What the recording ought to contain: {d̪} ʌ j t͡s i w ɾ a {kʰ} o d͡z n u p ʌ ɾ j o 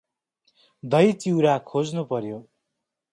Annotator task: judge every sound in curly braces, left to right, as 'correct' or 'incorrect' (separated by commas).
correct, correct